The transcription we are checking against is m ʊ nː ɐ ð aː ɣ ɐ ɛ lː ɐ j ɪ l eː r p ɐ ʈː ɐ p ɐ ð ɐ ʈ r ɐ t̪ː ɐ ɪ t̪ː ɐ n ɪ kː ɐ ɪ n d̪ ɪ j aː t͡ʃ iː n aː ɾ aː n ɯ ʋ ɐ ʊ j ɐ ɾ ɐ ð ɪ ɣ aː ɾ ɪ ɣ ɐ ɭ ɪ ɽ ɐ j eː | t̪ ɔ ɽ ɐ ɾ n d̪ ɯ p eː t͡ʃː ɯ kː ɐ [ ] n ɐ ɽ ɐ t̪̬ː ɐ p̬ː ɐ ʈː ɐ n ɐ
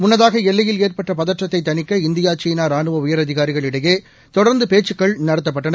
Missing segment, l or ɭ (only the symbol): ɭ